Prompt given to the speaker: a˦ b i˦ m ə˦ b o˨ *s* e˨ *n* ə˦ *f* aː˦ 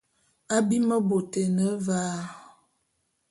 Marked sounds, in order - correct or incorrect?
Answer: incorrect: t, correct, incorrect: v

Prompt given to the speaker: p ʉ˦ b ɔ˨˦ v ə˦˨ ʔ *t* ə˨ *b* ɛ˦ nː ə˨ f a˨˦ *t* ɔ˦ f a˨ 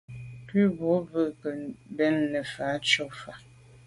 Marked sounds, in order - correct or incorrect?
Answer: incorrect: k, correct, incorrect: t͡ʃ

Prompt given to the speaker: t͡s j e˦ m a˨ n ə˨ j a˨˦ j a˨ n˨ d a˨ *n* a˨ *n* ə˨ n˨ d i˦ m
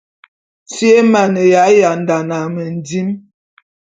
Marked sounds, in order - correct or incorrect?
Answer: correct, incorrect: m

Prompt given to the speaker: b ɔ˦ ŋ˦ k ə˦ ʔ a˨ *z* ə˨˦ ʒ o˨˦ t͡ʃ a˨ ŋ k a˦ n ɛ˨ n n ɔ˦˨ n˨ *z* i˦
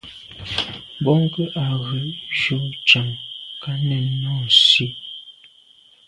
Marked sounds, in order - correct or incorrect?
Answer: incorrect: ɣ, incorrect: s

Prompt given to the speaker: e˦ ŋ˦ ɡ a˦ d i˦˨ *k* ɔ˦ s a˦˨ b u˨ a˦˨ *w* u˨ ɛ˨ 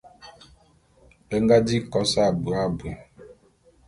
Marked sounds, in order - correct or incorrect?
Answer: correct, incorrect: b

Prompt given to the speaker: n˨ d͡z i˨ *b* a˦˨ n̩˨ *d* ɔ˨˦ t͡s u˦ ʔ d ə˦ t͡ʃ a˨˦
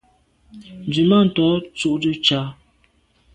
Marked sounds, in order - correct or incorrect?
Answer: incorrect: m, incorrect: t

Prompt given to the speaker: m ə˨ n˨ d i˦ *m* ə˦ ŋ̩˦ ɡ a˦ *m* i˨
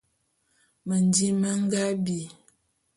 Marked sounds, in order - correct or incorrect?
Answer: correct, incorrect: b

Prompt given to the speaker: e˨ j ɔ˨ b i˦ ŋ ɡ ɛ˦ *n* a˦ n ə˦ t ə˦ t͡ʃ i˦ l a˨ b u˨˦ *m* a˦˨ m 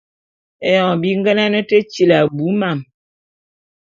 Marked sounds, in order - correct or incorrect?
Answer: correct, correct

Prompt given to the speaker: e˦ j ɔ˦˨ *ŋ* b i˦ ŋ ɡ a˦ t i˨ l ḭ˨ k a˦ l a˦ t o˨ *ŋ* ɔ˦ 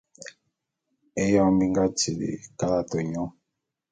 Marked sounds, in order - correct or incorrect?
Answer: incorrect: m, incorrect: ɲ

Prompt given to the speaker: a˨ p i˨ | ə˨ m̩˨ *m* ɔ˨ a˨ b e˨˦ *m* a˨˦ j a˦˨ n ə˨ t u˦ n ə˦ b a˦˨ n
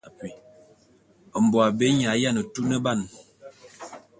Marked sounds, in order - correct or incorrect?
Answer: incorrect: b, incorrect: ɲ

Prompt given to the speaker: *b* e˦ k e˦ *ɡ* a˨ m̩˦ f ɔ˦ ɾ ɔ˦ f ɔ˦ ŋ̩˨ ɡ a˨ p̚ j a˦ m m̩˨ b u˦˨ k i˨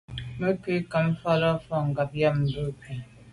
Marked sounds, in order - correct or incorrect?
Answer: incorrect: m, incorrect: k

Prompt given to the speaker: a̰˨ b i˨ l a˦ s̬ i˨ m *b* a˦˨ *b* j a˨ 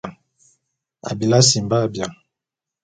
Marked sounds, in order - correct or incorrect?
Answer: correct, correct

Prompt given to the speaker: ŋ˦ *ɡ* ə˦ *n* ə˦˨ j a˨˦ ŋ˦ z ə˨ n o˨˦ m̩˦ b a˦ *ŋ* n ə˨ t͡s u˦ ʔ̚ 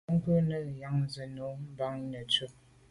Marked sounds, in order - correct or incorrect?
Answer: incorrect: k, correct, correct

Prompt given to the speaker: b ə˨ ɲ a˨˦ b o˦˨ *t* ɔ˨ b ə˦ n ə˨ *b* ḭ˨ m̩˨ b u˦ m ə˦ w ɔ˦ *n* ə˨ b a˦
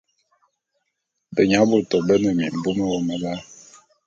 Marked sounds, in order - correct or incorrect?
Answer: correct, incorrect: m, incorrect: m

